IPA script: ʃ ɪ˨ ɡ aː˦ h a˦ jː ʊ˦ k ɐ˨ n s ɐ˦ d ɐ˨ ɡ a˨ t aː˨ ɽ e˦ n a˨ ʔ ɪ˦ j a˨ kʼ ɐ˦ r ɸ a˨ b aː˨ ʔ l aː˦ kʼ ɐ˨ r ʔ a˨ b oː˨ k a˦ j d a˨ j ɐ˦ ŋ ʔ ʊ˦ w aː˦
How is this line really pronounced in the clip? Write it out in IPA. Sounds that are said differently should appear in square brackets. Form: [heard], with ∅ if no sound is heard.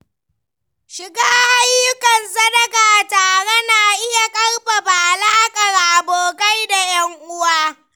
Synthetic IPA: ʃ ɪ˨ ɡ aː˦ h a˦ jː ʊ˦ k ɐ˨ n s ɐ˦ d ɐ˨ ɡ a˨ t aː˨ ɽ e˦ n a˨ ʔ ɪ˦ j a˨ kʼ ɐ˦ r ɸ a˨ b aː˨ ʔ l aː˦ kʼ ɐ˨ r ʔ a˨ b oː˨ k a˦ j d a˨ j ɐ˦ ŋ ʔ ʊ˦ w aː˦